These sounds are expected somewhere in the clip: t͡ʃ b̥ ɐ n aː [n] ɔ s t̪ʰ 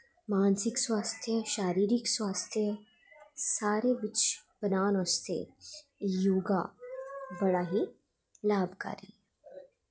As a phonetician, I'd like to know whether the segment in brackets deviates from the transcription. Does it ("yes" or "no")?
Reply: no